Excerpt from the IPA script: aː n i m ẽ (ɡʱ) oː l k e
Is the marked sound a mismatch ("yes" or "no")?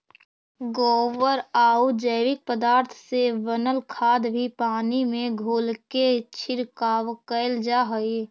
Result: no